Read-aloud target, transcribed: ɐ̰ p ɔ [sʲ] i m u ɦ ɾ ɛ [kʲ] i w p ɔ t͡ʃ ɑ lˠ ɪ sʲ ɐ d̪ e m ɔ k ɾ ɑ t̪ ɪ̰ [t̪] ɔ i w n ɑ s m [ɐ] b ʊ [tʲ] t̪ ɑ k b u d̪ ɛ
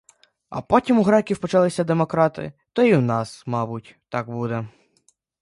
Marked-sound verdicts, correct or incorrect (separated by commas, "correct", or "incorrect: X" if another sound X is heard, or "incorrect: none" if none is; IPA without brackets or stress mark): incorrect: tʲ, correct, correct, incorrect: ɑ, correct